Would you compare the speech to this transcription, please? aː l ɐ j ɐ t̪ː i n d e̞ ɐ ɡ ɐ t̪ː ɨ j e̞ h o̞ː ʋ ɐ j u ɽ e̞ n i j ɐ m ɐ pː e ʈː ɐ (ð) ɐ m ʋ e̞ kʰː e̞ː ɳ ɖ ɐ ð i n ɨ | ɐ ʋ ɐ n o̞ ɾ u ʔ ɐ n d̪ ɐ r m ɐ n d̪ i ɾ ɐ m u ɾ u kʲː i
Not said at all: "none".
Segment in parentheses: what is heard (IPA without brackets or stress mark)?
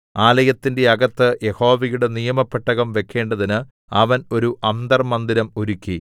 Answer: ɣ